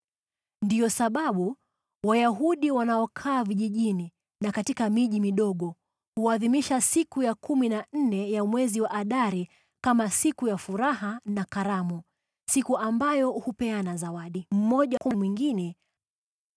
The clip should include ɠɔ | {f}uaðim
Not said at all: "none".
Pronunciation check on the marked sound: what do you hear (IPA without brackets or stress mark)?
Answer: h